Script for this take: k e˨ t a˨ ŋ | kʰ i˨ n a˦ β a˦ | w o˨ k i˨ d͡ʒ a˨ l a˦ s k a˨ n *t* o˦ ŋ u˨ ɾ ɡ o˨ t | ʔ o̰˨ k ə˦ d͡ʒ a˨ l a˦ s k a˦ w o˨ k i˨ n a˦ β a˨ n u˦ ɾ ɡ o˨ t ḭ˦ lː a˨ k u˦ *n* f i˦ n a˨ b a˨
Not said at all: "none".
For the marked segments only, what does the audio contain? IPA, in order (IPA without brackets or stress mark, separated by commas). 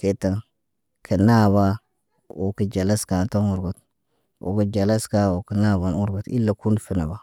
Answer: t, n